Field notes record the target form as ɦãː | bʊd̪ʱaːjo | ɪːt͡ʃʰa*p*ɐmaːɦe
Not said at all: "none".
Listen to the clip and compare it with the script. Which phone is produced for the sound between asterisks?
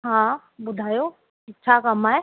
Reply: k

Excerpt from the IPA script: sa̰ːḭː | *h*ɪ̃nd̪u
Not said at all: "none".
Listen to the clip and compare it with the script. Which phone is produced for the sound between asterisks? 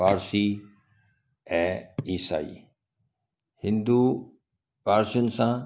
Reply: h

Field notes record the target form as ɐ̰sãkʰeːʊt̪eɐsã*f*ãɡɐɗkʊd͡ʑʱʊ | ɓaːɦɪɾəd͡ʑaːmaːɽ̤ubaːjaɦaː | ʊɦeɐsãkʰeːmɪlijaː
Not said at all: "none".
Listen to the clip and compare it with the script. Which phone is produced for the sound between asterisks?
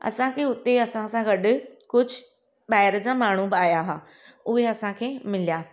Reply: s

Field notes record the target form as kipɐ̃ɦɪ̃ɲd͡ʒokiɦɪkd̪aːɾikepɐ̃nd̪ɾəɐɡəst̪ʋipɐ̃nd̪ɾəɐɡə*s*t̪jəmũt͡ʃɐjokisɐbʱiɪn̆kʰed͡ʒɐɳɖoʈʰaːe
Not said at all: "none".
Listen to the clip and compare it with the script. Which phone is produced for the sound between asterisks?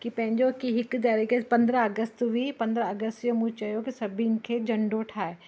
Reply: s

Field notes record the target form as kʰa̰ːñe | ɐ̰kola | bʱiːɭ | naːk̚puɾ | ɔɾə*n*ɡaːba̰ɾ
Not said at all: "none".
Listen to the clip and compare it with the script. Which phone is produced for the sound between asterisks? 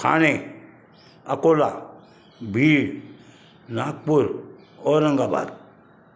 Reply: ŋ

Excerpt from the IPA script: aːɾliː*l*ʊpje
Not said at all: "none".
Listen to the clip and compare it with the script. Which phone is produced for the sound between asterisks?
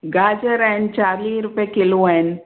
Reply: ɾ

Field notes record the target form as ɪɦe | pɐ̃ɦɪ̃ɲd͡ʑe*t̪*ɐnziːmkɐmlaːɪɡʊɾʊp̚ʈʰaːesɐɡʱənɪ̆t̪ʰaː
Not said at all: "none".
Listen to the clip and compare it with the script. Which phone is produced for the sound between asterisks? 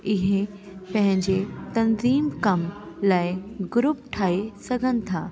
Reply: t̪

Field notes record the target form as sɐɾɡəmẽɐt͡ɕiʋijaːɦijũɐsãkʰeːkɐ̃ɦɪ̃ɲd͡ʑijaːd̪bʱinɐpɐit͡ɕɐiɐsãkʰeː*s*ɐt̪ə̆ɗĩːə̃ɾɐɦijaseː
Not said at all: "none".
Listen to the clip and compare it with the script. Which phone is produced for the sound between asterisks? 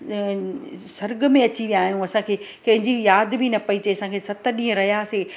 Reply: s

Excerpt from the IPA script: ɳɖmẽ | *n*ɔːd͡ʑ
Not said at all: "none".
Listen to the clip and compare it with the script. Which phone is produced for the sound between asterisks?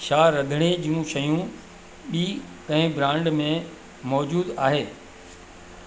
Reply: m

